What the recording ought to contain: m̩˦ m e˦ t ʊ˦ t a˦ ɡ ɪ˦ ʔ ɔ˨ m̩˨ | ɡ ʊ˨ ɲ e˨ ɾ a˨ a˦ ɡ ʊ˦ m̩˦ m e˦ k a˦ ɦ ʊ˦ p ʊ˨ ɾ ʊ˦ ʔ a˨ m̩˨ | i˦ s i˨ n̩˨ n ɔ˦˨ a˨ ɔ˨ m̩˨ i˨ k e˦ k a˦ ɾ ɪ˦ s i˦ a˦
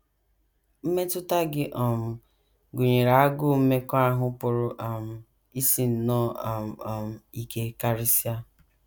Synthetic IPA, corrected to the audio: m̩˦ m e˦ t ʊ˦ t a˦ ɡ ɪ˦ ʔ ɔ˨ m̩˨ | ɡ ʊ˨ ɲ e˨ ɾ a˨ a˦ ɡ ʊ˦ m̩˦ m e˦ k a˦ ɦ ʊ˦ p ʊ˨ ɾ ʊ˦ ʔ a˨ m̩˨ | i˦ s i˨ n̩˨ n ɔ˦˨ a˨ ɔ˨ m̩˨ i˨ k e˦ k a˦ ɾ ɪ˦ s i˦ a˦